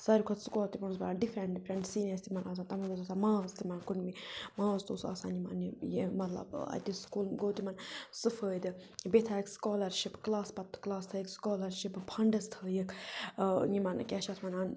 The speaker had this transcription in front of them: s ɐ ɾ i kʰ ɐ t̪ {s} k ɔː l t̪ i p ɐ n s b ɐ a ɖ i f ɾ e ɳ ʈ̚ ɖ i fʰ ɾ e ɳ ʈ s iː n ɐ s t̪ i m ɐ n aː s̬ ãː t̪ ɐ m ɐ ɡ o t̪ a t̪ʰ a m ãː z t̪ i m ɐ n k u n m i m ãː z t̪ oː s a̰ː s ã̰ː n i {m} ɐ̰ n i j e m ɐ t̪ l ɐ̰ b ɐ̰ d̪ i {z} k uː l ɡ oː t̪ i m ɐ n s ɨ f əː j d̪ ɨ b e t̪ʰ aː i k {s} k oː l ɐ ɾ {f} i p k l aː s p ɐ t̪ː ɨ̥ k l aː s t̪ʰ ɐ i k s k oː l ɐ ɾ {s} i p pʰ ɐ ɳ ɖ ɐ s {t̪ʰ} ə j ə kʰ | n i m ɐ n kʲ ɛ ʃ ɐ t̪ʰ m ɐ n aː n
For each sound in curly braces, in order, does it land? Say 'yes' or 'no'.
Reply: yes, yes, no, yes, no, no, yes

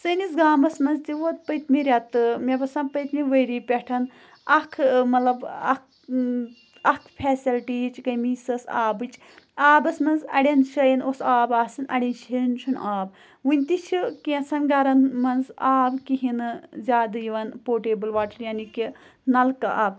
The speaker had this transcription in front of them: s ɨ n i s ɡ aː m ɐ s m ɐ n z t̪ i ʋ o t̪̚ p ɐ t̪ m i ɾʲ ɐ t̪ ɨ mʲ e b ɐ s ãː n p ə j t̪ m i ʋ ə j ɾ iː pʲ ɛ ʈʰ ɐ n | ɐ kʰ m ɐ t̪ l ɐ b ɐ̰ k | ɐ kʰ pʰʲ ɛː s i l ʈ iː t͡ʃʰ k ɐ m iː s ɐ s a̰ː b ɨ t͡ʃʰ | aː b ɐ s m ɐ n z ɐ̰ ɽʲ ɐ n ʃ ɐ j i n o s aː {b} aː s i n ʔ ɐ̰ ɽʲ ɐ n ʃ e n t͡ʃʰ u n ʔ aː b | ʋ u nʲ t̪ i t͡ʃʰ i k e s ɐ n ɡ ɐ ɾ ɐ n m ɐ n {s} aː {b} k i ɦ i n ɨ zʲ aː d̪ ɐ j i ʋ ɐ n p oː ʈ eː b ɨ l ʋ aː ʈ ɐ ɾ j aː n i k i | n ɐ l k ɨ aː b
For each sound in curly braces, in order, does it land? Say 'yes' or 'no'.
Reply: yes, no, yes

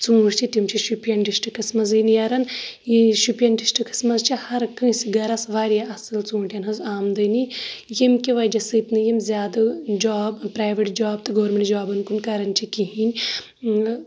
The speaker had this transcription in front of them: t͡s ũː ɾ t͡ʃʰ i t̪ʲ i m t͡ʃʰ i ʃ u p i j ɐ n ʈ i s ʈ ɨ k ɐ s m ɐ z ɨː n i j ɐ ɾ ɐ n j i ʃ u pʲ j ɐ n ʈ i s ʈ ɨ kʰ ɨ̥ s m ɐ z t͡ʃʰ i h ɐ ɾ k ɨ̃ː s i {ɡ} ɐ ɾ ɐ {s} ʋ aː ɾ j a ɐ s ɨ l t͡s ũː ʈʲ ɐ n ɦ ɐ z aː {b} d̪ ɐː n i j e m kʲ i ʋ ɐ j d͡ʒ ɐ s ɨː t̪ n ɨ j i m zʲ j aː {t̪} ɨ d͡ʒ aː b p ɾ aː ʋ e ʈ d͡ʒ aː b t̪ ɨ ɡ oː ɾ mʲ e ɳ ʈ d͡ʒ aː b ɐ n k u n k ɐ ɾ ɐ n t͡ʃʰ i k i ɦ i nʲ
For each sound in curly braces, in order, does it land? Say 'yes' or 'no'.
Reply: yes, yes, no, no

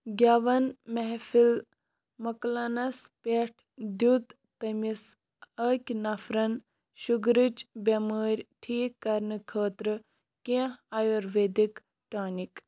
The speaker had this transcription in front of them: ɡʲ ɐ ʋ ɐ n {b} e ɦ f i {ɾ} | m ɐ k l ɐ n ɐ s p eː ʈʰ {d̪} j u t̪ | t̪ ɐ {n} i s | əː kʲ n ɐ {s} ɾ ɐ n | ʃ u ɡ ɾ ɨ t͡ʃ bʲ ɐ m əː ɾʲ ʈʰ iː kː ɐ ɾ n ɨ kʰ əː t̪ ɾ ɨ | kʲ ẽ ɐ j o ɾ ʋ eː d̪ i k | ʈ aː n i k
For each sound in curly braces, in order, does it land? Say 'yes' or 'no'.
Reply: no, no, yes, no, no

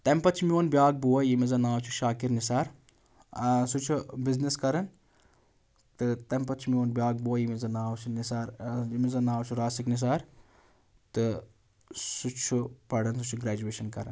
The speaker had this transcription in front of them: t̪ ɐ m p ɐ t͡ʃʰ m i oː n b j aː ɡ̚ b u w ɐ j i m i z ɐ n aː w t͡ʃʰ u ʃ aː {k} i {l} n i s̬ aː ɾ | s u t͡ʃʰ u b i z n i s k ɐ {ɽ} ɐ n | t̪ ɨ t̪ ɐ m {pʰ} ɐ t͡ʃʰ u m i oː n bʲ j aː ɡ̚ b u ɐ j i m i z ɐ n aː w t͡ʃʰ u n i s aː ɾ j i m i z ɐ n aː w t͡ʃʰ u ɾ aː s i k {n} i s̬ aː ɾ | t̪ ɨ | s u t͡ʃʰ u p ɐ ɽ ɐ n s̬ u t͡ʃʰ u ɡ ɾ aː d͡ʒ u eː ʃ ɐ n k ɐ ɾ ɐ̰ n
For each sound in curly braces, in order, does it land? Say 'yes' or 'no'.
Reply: yes, no, no, no, yes

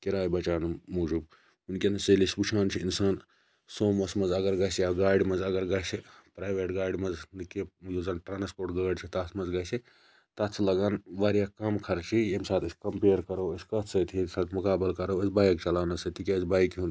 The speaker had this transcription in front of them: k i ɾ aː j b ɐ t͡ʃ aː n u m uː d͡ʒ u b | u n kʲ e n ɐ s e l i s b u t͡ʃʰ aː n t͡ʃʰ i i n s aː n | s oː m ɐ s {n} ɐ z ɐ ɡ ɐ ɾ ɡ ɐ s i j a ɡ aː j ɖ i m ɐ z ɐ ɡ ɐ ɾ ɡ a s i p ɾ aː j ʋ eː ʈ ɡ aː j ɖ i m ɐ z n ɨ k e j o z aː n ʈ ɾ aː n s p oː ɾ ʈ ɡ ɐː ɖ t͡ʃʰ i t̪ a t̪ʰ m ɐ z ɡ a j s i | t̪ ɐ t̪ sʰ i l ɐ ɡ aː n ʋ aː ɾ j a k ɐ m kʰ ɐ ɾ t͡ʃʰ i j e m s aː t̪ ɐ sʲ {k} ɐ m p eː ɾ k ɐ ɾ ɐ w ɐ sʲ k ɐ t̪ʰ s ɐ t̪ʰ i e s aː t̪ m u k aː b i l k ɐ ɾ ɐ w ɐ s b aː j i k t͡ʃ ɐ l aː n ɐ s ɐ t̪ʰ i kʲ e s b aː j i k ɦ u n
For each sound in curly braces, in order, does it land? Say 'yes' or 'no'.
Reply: no, yes

